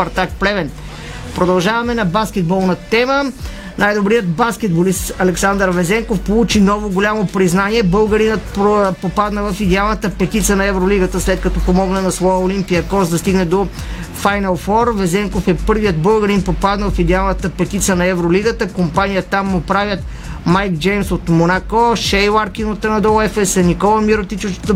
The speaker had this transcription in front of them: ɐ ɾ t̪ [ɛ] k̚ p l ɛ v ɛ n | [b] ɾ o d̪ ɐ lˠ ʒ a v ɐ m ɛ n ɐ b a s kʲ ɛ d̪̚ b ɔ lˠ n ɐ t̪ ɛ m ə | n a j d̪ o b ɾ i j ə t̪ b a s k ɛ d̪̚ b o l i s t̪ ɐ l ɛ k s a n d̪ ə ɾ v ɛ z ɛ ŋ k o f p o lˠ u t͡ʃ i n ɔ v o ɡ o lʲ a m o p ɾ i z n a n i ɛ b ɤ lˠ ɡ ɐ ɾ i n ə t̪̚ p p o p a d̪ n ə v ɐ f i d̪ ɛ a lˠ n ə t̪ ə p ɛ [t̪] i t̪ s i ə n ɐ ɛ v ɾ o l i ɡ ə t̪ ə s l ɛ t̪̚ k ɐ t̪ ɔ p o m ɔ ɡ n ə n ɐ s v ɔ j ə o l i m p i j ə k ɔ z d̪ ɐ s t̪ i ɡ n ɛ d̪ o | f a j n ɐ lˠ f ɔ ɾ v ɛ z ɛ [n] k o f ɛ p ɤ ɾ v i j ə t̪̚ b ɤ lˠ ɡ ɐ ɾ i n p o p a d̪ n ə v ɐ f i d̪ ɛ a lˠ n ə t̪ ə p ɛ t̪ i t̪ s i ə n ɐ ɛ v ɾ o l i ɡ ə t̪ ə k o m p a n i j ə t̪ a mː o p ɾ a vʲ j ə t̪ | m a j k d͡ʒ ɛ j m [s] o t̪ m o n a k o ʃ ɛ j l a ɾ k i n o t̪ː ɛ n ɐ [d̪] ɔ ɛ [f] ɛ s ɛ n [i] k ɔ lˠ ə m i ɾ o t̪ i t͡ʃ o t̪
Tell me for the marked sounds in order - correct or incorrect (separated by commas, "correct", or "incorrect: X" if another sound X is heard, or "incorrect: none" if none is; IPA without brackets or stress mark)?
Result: incorrect: a, incorrect: p, correct, incorrect: ŋ, correct, correct, correct, correct